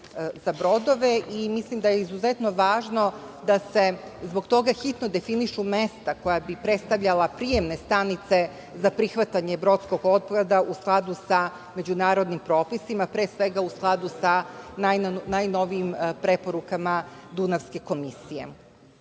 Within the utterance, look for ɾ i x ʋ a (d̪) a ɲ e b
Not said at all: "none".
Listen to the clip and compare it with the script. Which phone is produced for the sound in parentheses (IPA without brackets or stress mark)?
t̪